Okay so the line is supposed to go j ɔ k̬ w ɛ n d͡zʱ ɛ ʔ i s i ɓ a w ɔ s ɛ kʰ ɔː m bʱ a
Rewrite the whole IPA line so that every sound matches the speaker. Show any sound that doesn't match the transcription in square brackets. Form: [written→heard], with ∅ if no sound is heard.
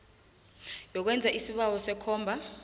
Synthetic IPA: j ɔ k̬ w ɛ n d͡zʱ [ɛ→a] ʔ i s i ɓ a w ɔ s ɛ kʰ ɔː m bʱ a